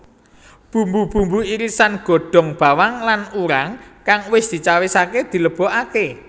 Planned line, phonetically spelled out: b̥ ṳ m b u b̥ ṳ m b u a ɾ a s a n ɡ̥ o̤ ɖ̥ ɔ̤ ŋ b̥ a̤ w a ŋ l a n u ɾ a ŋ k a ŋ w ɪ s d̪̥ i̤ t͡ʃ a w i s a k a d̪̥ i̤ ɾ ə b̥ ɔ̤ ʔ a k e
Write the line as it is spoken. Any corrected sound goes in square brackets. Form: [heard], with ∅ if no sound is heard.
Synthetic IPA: b̥ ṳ m b u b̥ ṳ m b u [i] ɾ [i] s a n ɡ̥ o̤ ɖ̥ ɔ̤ ŋ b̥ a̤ w a ŋ l a n u ɾ a ŋ k a ŋ w ɪ s d̪̥ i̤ t͡ʃ a w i s a k [e] d̪̥ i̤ [l] ə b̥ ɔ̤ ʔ a k e